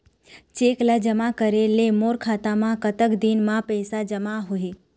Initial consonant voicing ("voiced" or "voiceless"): voiceless